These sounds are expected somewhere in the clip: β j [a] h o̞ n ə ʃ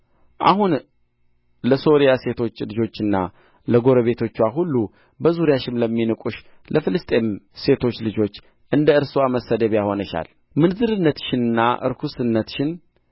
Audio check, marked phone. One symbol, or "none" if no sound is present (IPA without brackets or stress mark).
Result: a